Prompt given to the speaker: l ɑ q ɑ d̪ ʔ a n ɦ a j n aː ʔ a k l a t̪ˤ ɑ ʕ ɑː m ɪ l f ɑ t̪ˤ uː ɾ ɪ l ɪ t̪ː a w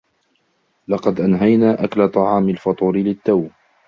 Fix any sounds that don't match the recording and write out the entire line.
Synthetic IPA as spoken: l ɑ q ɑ d̪ ʔ a n ɦ a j n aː ʔ a k l a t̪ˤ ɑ ʕ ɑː m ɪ l f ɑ t̪ˤ uː ɾ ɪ l ɪ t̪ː a w